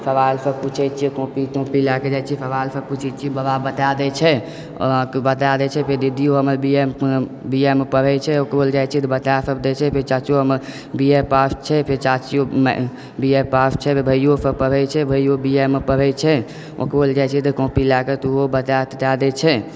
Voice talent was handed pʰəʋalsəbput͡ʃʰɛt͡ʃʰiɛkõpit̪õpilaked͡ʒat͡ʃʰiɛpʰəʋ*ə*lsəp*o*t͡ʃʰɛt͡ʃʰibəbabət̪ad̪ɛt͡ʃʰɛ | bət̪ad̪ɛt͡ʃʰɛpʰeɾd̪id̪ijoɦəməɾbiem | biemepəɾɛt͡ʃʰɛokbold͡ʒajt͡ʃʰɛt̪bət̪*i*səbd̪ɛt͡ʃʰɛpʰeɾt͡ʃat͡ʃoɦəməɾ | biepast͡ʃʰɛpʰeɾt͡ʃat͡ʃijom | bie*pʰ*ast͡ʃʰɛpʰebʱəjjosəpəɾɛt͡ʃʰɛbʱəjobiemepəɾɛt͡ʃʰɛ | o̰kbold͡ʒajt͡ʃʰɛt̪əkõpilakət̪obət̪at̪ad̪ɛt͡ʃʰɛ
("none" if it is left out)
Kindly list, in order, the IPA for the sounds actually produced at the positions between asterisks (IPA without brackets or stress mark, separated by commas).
a, u, a, p